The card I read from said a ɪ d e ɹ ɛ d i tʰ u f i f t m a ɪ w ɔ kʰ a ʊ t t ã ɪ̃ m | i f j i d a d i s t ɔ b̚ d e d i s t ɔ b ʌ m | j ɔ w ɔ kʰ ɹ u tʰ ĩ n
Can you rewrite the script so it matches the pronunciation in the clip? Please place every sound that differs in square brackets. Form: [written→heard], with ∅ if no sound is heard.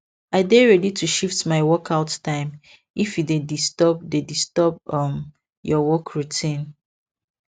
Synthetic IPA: a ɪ d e ɹ ɛ d i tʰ u [f→ʃ] i f t m a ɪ w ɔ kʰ a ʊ t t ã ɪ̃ m | i f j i d [a→e] d i s t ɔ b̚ d e d i s t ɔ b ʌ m | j ɔ w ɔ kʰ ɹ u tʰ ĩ n